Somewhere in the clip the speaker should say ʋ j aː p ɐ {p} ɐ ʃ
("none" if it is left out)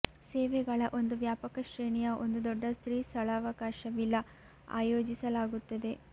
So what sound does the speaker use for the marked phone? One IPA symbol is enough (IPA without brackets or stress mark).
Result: k